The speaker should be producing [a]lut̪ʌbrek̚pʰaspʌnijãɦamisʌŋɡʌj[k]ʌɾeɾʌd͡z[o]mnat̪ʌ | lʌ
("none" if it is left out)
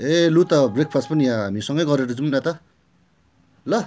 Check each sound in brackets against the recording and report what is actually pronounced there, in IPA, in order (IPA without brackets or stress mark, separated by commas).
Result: e, ɡ, u